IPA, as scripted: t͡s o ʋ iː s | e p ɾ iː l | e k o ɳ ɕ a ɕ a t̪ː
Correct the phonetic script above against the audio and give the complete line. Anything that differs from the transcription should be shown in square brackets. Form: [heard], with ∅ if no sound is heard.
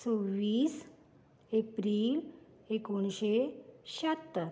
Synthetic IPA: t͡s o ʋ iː s | e p ɾ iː l | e k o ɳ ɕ [e] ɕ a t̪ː